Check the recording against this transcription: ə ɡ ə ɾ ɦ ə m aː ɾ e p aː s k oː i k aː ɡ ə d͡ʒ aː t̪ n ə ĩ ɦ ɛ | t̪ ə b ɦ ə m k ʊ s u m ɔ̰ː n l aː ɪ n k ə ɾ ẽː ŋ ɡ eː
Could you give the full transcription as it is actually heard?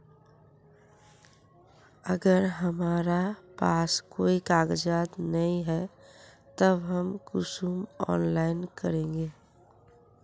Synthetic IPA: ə ɡ ə ɾ ɦ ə m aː ɾ a p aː s k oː i k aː ɡ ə d͡ʒ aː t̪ n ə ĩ ɦ ɛ | t̪ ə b ɦ ə m k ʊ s u m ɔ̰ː n l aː ɪ n k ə ɾ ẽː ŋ ɡ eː